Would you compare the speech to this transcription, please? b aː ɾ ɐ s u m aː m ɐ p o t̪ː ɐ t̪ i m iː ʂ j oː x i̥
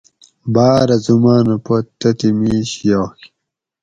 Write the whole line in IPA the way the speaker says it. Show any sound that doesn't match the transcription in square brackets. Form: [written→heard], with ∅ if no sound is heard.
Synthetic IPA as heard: b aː ɾ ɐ [s→z] u m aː [m→n] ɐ p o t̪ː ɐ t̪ i m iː [ʂ→ɕ] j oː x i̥

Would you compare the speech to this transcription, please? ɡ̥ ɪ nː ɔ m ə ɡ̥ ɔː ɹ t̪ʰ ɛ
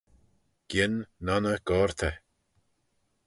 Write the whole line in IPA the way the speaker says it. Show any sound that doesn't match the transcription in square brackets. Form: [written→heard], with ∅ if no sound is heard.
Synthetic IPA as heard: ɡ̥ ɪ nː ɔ [m→n] ə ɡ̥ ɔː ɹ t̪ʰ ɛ

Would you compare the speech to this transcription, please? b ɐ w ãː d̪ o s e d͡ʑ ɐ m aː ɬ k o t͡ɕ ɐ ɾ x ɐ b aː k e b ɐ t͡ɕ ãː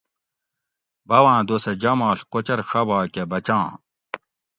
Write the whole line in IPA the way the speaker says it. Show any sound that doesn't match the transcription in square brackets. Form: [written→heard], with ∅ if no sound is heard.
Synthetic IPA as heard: b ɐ w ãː d̪ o s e d͡ʑ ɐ m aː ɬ k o t͡ɕ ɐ ɾ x ɐ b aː k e b ɐ t͡ɕ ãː

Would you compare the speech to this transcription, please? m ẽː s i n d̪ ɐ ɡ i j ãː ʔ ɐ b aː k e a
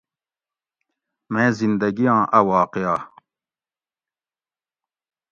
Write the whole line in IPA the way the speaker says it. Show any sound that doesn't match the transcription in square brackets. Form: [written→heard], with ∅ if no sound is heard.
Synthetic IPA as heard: m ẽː [s→z] i n d̪ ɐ ɡ i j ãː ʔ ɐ [b→w] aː [k→q] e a

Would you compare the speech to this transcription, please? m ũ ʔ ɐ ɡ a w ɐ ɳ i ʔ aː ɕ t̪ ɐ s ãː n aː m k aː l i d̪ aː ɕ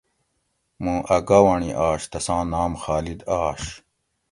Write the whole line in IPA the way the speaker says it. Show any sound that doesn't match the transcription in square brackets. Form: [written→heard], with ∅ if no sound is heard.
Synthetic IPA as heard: m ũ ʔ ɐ ɡ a w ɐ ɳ i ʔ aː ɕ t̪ ɐ s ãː n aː m [k→x] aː l i d̪ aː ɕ

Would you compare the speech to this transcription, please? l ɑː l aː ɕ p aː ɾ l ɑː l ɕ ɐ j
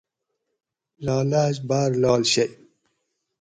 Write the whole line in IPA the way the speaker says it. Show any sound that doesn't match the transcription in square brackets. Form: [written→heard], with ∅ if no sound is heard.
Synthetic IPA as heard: l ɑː l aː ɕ [p→b] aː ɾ l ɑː l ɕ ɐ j

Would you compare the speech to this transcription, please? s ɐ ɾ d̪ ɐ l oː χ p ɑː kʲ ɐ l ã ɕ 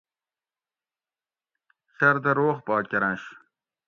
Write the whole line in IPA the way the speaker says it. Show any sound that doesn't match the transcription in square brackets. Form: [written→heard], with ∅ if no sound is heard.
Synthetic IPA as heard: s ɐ ɾ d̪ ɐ [l→ɾ] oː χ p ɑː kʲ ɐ [l→ɾ] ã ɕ

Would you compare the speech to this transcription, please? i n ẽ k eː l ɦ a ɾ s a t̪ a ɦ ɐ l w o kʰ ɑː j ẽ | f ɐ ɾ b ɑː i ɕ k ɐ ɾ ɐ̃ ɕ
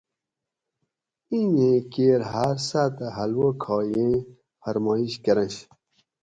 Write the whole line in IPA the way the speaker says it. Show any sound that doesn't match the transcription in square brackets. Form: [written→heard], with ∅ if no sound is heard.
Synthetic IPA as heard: i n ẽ k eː [l→ɾ] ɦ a ɾ s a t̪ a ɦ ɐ l w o kʰ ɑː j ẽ | f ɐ ɾ [b→m] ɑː i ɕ k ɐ ɾ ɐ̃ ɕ

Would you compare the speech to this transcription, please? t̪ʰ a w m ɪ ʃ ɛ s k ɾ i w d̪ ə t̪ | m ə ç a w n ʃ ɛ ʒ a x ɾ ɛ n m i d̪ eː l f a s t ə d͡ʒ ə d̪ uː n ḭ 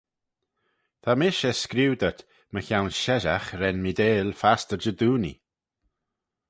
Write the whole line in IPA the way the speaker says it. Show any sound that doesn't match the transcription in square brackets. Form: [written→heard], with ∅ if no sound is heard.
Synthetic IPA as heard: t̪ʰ a [w→∅] m ɪ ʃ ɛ s k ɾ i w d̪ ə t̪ | m ə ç a w n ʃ ɛ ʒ a x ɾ ɛ n m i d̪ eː l f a s t ə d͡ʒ ə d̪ uː n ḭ

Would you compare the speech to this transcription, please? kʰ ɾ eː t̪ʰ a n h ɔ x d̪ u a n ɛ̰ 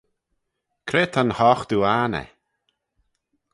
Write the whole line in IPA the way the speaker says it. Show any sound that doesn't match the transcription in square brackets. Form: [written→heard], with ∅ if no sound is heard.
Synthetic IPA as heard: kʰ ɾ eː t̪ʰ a n h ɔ x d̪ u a n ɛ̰

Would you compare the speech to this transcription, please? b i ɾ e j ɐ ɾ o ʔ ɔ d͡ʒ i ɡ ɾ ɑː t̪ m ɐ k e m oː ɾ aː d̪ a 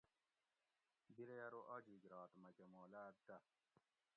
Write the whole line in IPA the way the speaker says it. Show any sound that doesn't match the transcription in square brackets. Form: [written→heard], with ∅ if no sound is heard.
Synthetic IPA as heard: b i ɾ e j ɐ ɾ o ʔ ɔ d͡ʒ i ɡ ɾ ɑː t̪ m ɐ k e m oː [ɾ→l] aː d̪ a

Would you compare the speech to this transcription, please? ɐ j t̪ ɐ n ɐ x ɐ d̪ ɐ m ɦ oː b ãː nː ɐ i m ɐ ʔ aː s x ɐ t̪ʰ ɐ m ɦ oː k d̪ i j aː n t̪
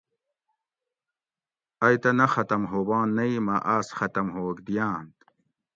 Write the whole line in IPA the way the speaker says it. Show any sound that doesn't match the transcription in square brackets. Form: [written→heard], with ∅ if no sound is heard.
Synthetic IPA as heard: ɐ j t̪ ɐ n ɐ x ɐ [d̪→t̪] ɐ m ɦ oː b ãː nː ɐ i m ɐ ʔ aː s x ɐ [t̪ʰ→t̪] ɐ m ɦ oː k d̪ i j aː n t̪

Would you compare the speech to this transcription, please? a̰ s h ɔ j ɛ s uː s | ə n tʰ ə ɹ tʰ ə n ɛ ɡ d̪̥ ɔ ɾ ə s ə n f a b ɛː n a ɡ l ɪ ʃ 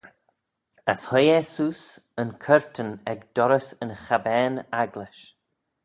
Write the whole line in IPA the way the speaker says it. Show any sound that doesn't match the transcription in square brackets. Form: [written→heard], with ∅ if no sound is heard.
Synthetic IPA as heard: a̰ s h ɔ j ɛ s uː s | ə n [tʰ→kʰ] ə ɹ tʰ ə n ɛ ɡ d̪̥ ɔ ɾ ə s ə n [f→x] a b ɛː n a ɡ l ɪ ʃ

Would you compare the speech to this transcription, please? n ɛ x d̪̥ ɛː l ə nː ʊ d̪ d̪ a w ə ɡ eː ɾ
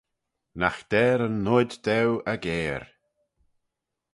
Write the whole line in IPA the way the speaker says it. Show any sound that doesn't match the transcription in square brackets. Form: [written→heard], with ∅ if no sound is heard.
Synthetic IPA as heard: n [ɛ→a] x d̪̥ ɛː [l→ɾ] ə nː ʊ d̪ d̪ [a→ɛ] w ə ɡ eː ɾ

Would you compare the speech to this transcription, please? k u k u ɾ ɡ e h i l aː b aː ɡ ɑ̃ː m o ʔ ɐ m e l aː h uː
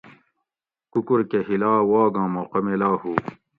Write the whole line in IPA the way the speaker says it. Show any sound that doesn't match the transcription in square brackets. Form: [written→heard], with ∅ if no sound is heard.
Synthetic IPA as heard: k u k u ɾ [ɡ→k] e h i l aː [b→w] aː ɡ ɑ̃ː m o [ʔ→q] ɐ m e l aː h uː

